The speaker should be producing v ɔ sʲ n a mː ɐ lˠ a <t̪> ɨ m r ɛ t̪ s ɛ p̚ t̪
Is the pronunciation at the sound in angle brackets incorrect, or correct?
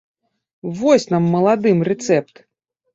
incorrect